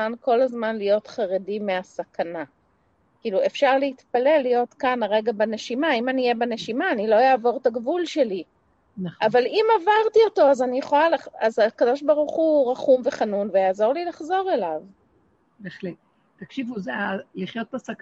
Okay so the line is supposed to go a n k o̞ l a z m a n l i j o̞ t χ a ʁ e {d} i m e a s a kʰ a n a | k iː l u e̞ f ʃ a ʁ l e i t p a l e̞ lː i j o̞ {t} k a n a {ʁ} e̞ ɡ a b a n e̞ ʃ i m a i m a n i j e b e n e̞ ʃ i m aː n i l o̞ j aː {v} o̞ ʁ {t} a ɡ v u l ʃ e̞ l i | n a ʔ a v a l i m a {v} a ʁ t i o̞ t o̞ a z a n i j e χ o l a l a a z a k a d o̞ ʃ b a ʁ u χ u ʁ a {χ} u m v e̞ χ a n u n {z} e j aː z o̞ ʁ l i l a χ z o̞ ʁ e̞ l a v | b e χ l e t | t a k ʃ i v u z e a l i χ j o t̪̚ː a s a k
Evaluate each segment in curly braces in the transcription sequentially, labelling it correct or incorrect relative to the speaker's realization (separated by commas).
correct, correct, correct, correct, correct, correct, correct, incorrect